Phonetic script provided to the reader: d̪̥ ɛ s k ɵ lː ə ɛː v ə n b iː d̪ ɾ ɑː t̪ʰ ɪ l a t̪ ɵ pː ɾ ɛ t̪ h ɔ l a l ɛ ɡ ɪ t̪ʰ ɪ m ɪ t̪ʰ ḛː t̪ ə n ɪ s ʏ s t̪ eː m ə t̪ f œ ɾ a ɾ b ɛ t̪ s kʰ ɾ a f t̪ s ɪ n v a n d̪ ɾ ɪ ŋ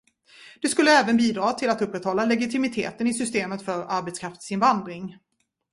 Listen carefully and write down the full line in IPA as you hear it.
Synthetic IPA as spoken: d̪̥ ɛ s k ɵ lː ə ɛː v ə n b iː d̪ ɾ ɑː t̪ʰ ɪ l a t̪ ɵ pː ɾ ɛ t̪ h ɔ lː a l ɛ ɡ ɪ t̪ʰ ɪ m ɪ t̪ʰ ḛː t̪ ə n ɪ s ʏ s t̪ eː m ə t̪ f œ ɾ a ɾ b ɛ t̪ s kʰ ɾ a f t̪ s ɪ n v a n d̪ ɾ ɪ ŋ

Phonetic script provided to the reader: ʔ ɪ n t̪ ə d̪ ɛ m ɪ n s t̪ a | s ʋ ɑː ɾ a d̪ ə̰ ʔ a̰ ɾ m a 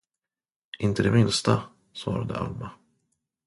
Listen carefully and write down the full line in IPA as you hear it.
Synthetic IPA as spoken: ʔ ɪ n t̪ ə d̪ ɛ m ɪ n s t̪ a | s v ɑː ɾ a d̪ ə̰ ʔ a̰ l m a

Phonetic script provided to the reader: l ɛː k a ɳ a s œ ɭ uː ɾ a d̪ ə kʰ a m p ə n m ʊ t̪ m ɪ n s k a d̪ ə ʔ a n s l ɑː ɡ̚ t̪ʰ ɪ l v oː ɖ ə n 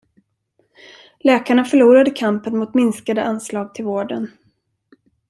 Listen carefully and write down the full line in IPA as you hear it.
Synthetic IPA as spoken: l ɛː k a ɳ a f œ ɭ uː ɾ a d̪ ə kʰ a m p ə n m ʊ t̪ m ɪ n s k a d̪ ə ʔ a n s l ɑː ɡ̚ t̪ʰ ɪ l v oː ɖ ə n

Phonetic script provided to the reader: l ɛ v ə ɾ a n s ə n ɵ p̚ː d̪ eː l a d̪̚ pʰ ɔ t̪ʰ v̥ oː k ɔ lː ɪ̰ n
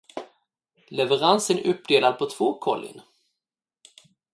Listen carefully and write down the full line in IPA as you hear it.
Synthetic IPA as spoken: l ɛ v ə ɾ a n s ə n ɵ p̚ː d̪ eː l a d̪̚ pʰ ɔ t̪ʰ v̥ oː kʰ ɔ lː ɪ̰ n

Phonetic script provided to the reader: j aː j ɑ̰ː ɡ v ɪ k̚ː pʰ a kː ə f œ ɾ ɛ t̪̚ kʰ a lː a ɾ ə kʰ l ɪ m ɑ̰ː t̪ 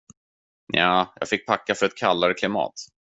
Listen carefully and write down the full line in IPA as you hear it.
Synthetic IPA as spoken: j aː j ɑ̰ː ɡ f ɪ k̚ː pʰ a kː a f œ ɾ ɛ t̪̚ kʰ a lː a ɾ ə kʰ l ɪ m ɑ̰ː t̪

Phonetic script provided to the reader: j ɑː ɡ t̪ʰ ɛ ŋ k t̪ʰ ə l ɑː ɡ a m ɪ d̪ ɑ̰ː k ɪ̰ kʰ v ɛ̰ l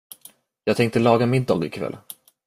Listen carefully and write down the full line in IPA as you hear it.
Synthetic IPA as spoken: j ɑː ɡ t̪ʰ ɛ ŋ k t̪ ə l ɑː ɡ a m ɪ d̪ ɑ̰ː ɡ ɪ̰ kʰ v ɛ̰ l

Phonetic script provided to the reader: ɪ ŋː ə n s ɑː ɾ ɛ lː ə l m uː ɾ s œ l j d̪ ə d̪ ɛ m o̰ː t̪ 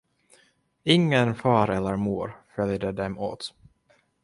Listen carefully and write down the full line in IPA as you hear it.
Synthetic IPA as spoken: ɪ ŋː ə n f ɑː ɾ ɛ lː ə ɾ m uː ɾ f œ l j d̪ ə d̪ ɛ m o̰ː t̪

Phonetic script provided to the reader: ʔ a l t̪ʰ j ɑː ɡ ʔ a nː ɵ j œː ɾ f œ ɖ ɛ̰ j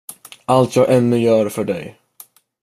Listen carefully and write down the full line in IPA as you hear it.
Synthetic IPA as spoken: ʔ a l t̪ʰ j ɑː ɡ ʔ ɛ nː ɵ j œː ɾ f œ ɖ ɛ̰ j

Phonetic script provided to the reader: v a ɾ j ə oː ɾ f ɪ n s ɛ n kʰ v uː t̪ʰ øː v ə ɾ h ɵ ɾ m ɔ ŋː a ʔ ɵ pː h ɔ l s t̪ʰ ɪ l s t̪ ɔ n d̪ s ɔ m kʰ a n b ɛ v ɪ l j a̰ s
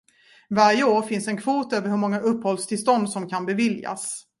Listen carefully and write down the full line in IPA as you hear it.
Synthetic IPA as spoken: v a ɾ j ə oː ɾ f ɪ n s ɛ n kʰ v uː t̪ øː v ə ɾ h ɵ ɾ m ɔ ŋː a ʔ ɵ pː h ɔ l s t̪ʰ ɪ l s t̪ ɔ n d̪ s ɔ m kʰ a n b ɛ v ɪ l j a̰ s

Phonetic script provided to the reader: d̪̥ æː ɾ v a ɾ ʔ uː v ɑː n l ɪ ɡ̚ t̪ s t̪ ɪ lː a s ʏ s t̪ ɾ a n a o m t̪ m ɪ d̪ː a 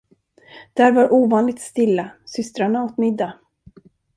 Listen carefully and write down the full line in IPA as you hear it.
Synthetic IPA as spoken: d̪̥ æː ɾ v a ɾ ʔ uː v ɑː n l ɪ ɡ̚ t̪ s t̪ ɪ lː a s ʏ s t̪ ɾ a ɳ a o t̪ m ɪ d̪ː a

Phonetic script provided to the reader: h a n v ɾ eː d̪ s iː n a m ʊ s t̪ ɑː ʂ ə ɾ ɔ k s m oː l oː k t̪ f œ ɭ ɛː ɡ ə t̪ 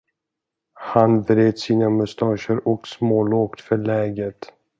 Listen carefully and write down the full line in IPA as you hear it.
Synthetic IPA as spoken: h a n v ɾ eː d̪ s iː n a m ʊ s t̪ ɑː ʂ ə ɾ ɔ k s m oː l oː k t̪ f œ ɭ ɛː ɡ ə t̪

